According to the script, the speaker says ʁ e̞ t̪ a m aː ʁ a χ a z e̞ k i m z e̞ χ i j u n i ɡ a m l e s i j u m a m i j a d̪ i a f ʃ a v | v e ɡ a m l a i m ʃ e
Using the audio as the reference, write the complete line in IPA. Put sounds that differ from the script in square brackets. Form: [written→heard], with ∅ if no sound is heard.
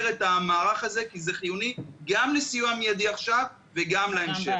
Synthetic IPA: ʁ e̞ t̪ a m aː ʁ a χ a z e̞ k i [m→∅] z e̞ χ i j u n i ɡ a m l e s i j u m a m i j a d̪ i a [f→χ] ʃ a v | v e ɡ a m l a [i→e] m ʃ e

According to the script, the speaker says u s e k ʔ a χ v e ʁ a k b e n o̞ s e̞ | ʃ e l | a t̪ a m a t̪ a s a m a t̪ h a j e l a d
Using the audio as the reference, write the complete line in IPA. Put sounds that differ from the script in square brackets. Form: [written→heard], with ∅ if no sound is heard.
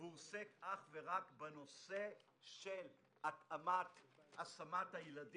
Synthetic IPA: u s e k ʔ a χ v e ʁ a k b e n o̞ s e̞ | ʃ e l | a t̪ a m a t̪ a s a m a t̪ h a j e l a d

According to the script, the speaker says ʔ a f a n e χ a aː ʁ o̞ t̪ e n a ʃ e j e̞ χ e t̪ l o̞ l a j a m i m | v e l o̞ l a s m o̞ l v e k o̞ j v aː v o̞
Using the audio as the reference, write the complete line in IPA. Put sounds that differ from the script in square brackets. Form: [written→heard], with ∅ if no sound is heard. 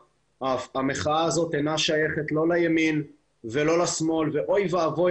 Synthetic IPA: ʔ a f a [n→m] e χ a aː [ʁ→z] o̞ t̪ e n a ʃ [e→a] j e̞ χ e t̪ l o̞ l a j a m i [m→n] | v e l o̞ l a s m o̞ l v e [k→ʔ] o̞ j v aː v o̞

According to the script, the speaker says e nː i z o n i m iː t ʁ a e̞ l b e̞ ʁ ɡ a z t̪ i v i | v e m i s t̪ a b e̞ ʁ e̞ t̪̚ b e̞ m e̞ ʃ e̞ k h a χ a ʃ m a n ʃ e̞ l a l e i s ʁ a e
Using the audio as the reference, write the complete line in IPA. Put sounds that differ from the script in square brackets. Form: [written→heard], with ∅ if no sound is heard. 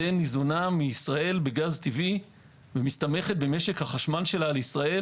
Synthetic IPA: e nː i z o n [i→a] m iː [t→s] ʁ a e̞ l b e̞ [ʁ→∅] ɡ a z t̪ i v i | v e m i s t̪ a [b→m] e̞ [ʁ→χ] e̞ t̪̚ b e̞ m e̞ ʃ e̞ k h a χ a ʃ m a n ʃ e̞ l a l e i s ʁ a e

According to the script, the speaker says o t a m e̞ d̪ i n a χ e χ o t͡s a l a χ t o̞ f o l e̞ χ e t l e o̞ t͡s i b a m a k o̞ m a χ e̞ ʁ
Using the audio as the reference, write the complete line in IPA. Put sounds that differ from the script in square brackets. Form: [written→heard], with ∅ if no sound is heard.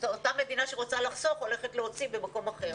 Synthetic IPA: o t a m e̞ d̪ i n a [χ→ʃ] e [χ→ʁ] o t͡s a l a χ [t→s] o̞ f o l e̞ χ e t l e o̞ t͡s i b [a→e] m a k o̞ m a χ e̞ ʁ

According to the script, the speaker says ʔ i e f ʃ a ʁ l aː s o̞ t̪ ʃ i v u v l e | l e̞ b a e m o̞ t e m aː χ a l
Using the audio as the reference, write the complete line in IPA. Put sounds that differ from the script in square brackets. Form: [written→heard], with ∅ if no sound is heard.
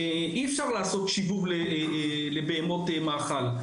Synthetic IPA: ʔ i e f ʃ a ʁ l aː s o̞ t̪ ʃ i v u v l e | l e̞ b [a→e] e m o̞ t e m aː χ a l

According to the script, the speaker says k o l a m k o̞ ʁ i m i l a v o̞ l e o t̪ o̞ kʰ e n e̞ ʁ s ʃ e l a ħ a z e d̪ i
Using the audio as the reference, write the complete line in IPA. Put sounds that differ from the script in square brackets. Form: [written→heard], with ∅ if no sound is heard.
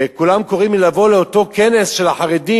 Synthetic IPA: k [o→u] l a m k o̞ ʁ i m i l a v o̞ l e o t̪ o̞ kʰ e n e̞ [ʁ→∅] s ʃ e l a ħ a [z→ʁ] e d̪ i

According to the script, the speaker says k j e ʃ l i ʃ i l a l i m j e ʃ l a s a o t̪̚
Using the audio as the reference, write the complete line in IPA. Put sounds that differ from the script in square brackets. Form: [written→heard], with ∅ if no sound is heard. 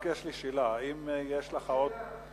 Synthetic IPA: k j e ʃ l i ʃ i l a [l→∅] i m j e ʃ l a [s→χ] a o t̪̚

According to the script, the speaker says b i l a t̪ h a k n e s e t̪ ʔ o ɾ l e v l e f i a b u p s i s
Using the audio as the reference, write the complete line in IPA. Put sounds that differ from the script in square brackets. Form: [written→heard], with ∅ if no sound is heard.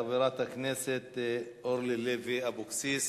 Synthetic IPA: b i [l→ɾ] a t̪ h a k n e s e t̪ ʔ o ɾ l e [v→∅] l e [f→v] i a b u [p→k] s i s

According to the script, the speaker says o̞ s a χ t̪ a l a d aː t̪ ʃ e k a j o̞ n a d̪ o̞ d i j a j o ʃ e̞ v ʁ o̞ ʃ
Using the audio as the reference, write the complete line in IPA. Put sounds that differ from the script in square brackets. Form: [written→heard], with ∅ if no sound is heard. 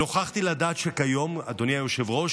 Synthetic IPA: o̞ [s→χ] a χ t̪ [a→i] l a d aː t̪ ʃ e k a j o̞ [n→m] a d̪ o̞ [d→n] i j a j o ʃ e̞ v ʁ o̞ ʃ

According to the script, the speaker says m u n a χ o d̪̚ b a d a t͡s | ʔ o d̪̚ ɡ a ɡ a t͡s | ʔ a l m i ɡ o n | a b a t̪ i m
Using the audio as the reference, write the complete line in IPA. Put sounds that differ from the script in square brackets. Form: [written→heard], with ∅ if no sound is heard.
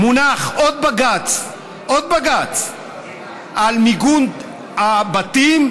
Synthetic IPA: m u n a χ o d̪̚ b a [d→ɡ] a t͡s | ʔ o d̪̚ [ɡ→b] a ɡ a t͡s | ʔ a l m i ɡ [o→u] n | a b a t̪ i m

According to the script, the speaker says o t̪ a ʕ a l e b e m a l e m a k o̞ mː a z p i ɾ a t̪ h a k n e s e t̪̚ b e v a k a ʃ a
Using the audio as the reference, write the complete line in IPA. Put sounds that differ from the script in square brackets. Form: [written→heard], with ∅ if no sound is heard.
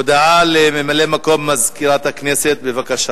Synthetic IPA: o [t̪→d̪] a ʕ a l e [b→m] e m a l e m a k o̞ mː a z [p→k] i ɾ a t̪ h a k n e s e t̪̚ b e v a k a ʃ a

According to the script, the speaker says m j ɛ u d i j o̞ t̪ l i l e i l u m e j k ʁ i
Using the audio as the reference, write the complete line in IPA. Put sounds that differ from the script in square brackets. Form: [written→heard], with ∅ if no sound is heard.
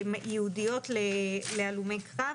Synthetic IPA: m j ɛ u d i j o̞ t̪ l [i→e] l e [i→a] l u m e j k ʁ [i→a]

